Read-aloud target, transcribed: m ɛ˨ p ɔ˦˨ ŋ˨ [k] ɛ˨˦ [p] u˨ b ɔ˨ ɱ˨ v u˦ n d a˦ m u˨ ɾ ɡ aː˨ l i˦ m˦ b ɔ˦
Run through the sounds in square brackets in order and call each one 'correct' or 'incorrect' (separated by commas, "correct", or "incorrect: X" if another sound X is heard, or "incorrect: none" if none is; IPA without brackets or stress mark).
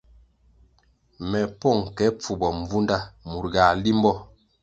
correct, incorrect: p͡f